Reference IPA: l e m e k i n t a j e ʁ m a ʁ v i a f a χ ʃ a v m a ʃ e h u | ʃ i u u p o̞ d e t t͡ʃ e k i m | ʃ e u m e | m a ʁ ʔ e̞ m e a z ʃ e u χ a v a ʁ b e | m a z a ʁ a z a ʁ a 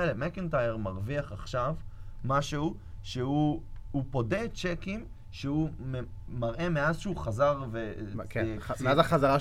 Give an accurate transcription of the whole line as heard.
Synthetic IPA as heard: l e m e k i n t a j e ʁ m a ʁ v i a χ a χ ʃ a v m a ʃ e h u | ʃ e u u p o̞ d e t t͡ʃ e k i m | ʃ e u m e | m a ʁ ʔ e̞ m e a z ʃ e u χ a z a ʁ v e | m a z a χ a z a ʁ a